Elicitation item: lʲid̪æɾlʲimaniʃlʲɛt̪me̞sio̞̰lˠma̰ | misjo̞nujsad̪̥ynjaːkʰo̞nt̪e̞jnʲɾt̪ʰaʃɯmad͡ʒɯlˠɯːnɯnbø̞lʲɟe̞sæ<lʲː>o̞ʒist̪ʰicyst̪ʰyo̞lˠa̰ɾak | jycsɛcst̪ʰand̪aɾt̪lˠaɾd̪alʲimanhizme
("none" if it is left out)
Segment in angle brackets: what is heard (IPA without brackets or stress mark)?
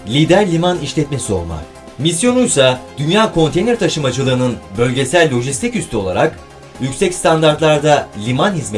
lʲː